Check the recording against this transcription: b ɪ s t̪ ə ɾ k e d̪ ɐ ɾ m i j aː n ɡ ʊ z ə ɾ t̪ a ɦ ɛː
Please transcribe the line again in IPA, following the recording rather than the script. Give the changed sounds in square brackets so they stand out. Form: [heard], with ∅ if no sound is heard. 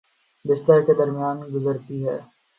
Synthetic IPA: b ɪ s t̪ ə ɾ k e d̪ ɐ ɾ m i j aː n ɡ ʊ z ə ɾ t̪ [i] ɦ ɛː